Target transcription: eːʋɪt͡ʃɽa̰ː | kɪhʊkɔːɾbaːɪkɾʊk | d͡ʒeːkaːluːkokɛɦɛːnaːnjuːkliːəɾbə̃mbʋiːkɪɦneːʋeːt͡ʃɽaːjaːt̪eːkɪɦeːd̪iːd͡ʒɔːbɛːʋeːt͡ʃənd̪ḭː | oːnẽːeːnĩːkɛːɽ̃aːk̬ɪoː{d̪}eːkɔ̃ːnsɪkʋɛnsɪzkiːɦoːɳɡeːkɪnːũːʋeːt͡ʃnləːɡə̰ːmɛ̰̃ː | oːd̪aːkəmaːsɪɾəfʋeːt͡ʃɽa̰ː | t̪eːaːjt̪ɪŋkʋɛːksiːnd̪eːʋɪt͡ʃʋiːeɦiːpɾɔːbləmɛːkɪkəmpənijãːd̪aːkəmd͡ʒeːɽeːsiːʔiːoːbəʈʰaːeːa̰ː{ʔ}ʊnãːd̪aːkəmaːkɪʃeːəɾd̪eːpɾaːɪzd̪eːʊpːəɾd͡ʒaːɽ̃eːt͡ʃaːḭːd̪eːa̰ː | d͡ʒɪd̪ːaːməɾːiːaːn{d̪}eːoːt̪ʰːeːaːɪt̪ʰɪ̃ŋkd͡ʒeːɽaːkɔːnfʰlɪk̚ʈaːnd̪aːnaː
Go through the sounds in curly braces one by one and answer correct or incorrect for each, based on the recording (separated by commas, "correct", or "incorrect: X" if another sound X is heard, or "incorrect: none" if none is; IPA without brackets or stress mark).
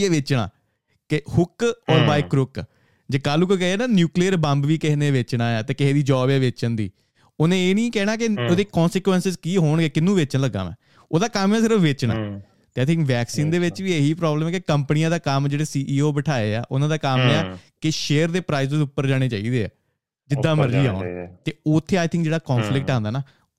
correct, correct, incorrect: t̪